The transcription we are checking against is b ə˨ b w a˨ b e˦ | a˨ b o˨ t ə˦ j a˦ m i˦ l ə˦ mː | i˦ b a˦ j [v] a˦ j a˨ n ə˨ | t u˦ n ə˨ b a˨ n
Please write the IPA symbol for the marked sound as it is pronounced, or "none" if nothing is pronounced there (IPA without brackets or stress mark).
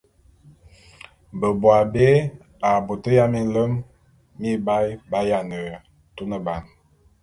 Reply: b